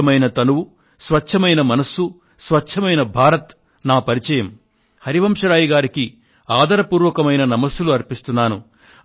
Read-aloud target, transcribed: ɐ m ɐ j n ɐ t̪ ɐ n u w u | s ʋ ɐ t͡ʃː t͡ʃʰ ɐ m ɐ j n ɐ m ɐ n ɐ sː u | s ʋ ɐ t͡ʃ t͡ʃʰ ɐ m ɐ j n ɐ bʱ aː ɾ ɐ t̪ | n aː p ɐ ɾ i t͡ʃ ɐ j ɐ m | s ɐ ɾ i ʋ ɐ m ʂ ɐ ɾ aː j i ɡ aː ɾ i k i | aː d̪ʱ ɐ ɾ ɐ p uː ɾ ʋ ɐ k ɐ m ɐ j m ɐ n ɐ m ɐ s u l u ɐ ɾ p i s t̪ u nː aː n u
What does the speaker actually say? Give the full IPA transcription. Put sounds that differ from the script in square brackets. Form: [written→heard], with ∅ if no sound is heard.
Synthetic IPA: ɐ m ɐ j n ɐ t̪ ɐ n u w u | s ʋ ɐ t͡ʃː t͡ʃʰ ɐ m ɐ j n ɐ m ɐ n ɐ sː u | s ʋ ɐ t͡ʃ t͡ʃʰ ɐ m ɐ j n ɐ bʱ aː ɾ ɐ t̪ | n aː p ɐ ɾ i t͡ʃ ɐ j ɐ m | [s→h] ɐ ɾ i ʋ ɐ m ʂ ɐ ɾ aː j i ɡ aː ɾ i k i | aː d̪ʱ ɐ ɾ ɐ p uː ɾ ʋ ɐ k ɐ m ɐ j [m→n] ɐ n ɐ m ɐ s u l u ɐ ɾ p i s t̪ u nː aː n u